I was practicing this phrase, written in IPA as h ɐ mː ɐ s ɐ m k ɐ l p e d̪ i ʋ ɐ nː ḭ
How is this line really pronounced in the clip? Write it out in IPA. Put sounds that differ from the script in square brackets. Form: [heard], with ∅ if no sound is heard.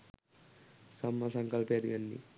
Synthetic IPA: [s] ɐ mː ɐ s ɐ [ŋ] k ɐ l p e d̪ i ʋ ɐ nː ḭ